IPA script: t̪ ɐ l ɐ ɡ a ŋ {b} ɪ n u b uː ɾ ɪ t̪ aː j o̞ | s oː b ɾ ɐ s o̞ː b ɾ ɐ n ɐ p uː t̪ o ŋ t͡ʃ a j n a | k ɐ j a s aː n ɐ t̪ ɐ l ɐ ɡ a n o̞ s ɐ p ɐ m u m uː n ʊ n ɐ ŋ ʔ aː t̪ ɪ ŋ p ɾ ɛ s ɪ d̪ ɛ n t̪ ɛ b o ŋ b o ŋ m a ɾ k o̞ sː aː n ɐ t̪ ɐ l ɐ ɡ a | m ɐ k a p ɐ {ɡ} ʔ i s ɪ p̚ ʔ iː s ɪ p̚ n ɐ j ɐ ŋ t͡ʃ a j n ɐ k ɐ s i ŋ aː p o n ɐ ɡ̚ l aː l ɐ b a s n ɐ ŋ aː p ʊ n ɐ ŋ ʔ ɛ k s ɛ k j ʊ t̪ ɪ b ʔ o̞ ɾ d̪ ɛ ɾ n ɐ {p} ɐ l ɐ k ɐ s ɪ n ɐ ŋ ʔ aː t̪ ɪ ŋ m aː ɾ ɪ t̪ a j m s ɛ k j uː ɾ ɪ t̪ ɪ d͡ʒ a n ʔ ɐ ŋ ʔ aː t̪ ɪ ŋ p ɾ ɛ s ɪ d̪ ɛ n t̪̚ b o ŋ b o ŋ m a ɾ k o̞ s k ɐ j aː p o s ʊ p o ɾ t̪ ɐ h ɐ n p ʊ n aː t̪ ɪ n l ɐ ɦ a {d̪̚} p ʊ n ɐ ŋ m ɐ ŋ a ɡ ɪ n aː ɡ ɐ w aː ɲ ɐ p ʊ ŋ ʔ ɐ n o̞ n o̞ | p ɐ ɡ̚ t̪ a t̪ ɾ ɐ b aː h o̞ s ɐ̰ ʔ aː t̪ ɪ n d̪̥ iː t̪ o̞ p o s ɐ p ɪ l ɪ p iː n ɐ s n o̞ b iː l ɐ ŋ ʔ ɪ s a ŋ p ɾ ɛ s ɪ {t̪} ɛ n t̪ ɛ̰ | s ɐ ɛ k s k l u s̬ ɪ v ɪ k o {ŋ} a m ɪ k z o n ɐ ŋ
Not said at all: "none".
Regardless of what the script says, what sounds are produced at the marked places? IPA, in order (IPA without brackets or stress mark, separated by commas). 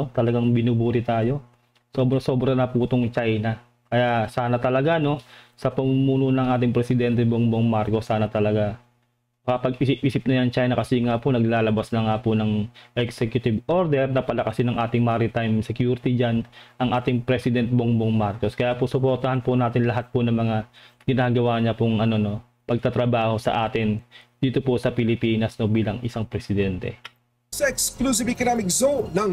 b, ɡ, p, t̪̚, d̪, n